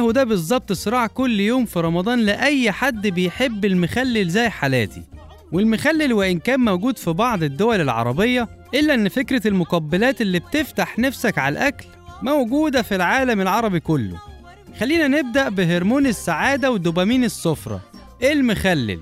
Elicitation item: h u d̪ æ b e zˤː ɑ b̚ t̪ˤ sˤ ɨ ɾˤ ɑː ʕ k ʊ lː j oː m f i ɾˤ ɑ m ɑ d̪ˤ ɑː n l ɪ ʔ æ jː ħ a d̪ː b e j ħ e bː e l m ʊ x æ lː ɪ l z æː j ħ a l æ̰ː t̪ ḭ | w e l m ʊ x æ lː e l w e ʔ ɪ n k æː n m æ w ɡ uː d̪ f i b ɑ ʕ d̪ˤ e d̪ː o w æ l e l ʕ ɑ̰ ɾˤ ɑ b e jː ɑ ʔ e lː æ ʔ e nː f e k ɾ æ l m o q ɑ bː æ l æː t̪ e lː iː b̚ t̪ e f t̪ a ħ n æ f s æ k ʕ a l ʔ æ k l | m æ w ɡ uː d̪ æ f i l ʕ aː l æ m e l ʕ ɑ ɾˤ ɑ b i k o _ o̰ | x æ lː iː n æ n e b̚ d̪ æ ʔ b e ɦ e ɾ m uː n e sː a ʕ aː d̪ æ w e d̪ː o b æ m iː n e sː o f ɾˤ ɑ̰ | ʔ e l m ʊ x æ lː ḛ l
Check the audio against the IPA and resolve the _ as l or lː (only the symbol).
lː